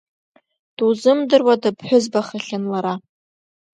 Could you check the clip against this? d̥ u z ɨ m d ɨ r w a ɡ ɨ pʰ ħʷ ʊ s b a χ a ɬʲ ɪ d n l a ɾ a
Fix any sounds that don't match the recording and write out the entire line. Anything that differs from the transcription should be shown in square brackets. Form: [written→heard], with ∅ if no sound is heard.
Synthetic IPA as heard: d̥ u z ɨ m d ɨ r w a [ɡ→d] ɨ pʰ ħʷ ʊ [s→z] b a χ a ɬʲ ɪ [d→∅] n l a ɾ a